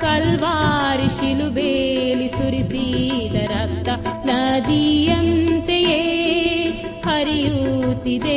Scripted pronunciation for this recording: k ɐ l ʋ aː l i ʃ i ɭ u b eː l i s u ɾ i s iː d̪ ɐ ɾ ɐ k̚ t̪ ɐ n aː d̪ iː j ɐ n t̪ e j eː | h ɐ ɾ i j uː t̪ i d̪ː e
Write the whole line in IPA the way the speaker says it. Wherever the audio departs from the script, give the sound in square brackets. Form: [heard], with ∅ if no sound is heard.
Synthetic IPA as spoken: k ɐ l ʋ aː [ɾ] i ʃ i [l] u b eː l i s u ɾ i s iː d̪ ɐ ɾ ɐ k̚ t̪ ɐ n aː d̪ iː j ɐ n t̪ e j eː | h ɐ ɾ i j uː t̪ i [d̪] e